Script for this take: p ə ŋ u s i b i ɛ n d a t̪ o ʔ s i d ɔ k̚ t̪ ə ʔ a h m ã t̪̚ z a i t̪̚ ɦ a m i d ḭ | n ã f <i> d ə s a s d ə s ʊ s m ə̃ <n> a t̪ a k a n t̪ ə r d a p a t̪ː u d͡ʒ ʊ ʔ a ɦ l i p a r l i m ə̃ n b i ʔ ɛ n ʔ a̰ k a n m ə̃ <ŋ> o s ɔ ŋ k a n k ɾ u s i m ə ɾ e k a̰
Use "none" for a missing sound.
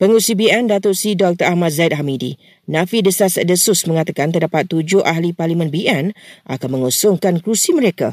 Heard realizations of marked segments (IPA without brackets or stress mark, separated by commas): i, ŋ, ŋ